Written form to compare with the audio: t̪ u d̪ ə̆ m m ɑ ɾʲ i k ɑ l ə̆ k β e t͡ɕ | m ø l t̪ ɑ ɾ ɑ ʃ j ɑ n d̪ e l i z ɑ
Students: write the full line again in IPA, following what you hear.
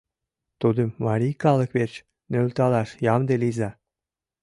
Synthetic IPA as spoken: t̪ u d̪ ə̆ m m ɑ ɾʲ i k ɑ l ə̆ k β e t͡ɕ | n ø l t̪ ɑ l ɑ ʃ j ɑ m d̪ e l i z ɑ